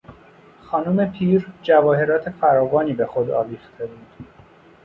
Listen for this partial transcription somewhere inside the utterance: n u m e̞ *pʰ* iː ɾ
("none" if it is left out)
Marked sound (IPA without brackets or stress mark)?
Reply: pʰ